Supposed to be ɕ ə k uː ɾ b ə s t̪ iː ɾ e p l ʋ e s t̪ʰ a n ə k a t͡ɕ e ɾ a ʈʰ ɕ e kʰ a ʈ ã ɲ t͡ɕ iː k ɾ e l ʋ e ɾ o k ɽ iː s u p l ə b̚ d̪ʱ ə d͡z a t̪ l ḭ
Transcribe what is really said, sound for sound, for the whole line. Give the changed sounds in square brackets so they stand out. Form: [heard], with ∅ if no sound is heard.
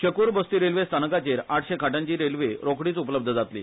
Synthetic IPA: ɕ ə k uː ɾ b ə s t̪ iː ɾ e [∅] l ʋ e s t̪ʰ a n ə k a t͡ɕ e ɾ a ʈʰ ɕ e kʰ a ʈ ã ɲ t͡ɕ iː [∅] ɾ e l ʋ e ɾ o k ɽ iː [t͡s] u p l ə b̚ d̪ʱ ə d͡z a t̪ l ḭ